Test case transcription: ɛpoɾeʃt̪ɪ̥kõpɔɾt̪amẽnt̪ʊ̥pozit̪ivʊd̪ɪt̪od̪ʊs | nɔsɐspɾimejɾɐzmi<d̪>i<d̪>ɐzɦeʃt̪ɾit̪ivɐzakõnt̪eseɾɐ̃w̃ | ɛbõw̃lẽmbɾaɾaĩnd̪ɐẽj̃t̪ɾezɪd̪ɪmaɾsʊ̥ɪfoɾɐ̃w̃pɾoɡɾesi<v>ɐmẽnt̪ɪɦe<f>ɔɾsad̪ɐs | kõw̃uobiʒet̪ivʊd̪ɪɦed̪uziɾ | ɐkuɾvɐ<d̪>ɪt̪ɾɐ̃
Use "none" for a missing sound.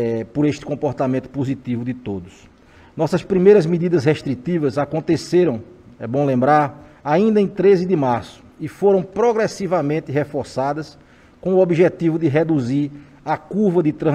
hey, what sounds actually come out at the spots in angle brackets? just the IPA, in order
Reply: d̪, d̪, v, f, d̪

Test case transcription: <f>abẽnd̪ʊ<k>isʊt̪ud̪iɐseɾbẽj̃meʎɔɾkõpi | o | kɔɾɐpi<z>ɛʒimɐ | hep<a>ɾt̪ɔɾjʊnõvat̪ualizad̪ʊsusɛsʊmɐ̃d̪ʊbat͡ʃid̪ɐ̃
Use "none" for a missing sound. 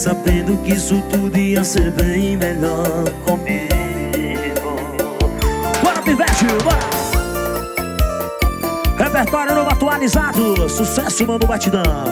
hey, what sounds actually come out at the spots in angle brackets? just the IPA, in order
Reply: s, k, v, e

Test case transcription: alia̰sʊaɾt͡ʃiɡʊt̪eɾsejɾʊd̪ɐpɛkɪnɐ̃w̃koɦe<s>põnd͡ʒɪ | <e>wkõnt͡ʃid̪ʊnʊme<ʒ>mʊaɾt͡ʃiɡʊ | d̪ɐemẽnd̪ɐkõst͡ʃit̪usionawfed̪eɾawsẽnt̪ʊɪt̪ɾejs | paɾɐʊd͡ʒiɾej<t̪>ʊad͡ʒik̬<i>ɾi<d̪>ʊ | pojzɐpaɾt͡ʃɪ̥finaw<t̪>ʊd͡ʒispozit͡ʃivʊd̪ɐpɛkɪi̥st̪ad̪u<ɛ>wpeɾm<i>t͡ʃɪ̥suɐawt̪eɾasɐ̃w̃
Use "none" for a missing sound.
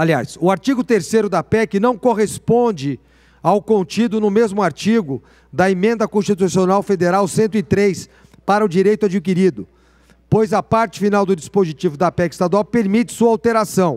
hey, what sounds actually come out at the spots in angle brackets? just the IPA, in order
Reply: s, a, z, t̪, i, d̪, d̪, a, i

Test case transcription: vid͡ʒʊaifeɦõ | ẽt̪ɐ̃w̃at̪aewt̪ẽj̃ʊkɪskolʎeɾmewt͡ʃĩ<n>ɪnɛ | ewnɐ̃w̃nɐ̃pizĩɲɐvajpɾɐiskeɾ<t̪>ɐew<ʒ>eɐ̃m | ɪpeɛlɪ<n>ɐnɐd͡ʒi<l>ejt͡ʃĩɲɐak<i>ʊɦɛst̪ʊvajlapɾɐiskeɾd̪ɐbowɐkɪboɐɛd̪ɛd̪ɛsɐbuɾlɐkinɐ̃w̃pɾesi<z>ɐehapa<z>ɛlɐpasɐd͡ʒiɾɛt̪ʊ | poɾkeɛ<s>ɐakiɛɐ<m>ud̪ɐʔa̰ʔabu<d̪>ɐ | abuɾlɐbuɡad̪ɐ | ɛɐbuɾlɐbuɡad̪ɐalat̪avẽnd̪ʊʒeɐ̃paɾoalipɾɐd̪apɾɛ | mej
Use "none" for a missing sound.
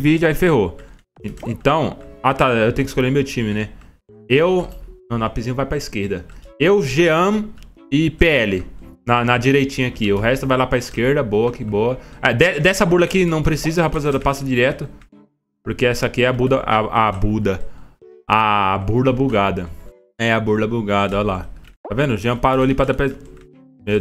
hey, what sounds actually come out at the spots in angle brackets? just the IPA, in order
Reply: m, d̪, ʒ, n, ɾ, i, z, z, s, b, d̪

